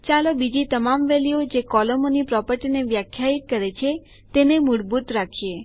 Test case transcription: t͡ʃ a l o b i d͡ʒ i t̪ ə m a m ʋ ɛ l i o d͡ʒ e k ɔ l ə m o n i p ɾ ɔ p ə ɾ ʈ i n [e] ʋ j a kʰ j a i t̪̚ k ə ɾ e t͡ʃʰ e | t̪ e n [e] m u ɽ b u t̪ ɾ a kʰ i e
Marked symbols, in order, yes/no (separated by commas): yes, yes